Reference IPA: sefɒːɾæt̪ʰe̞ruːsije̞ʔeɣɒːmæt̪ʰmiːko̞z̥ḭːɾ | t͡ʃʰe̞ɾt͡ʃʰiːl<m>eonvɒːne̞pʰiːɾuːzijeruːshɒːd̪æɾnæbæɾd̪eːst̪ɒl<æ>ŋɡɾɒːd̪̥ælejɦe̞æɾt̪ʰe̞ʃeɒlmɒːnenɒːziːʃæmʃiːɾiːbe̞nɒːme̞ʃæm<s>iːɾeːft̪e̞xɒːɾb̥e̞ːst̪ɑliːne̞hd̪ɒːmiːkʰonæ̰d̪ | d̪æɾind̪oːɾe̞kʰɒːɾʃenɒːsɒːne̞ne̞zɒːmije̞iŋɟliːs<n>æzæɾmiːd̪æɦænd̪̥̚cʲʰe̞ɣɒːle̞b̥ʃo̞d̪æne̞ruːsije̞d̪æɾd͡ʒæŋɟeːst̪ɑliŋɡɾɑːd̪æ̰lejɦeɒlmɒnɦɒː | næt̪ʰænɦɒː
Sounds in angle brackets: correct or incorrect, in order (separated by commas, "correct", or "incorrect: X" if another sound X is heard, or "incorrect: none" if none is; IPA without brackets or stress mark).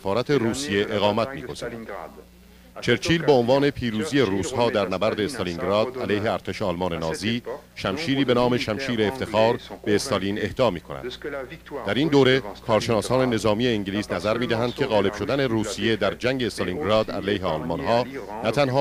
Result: incorrect: b, incorrect: i, incorrect: ʃ, correct